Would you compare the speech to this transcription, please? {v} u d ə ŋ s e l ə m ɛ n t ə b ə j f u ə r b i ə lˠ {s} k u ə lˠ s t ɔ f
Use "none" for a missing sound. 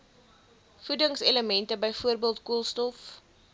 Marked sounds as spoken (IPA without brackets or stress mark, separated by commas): f, t